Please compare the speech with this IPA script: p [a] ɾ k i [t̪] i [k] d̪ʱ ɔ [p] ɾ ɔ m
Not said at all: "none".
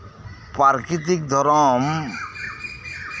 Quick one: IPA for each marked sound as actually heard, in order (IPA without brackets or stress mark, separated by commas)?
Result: a, t̪, k, none